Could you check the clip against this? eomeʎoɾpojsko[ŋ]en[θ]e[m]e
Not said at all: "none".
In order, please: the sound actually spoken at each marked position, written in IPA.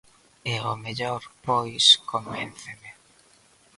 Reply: m, θ, m

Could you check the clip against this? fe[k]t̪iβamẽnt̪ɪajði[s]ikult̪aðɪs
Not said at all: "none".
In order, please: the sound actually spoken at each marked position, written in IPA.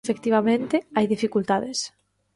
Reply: k, f

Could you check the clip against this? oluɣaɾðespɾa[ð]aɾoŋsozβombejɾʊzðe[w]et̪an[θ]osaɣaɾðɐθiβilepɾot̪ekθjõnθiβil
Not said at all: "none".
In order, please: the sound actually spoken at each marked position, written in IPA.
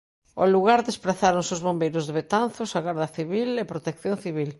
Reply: θ, β, θ

